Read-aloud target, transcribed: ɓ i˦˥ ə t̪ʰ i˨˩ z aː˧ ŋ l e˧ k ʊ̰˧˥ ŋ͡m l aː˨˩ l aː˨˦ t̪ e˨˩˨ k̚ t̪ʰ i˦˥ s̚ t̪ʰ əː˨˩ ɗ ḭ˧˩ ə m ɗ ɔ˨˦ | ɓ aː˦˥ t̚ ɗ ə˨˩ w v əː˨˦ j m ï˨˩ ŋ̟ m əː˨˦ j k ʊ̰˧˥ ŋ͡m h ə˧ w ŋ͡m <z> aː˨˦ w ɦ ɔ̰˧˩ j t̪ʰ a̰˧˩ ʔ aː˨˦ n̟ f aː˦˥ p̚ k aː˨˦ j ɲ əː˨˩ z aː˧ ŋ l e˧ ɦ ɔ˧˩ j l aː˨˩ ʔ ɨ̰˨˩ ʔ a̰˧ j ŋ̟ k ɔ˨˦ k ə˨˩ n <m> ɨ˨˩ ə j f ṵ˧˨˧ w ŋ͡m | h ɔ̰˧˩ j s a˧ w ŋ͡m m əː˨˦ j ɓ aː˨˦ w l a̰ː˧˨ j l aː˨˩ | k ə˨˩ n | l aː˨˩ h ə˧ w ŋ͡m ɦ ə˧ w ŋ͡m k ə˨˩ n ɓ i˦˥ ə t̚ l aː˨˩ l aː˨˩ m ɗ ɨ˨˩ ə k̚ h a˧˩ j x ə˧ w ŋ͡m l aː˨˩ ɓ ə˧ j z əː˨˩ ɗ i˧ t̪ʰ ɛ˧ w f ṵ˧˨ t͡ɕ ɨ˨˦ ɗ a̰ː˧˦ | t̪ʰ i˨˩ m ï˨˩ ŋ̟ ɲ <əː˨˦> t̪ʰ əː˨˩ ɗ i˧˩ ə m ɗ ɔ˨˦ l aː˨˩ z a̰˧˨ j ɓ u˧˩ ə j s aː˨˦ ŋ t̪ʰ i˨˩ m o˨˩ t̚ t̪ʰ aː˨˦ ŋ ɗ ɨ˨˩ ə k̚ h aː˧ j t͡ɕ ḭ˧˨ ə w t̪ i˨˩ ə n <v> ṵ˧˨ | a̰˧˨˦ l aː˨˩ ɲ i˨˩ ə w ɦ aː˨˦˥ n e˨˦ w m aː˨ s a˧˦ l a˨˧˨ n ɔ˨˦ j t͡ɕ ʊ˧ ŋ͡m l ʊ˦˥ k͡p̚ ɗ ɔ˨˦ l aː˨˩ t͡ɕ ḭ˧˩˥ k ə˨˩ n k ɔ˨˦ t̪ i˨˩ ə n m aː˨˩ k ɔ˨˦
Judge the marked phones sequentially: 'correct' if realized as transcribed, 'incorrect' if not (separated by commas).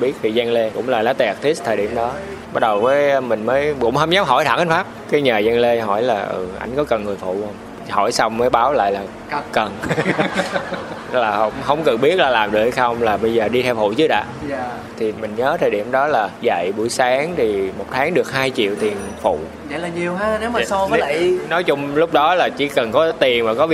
correct, incorrect, correct, incorrect